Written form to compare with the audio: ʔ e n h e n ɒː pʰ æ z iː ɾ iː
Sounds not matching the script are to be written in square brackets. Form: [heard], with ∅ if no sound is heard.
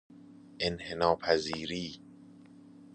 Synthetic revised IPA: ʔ e n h e n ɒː pʰ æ z iː ɾ iː